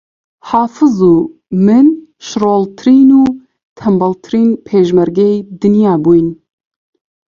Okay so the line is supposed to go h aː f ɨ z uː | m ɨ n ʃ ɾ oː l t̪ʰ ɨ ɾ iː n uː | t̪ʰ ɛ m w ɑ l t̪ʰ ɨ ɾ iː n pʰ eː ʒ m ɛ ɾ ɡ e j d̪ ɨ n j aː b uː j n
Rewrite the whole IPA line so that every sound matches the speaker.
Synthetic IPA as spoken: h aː f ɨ z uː | m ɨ n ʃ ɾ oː l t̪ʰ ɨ ɾ iː n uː | t̪ʰ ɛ m b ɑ l t̪ʰ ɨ ɾ iː n pʰ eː ʒ m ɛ ɾ ɡ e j d̪ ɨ n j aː b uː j n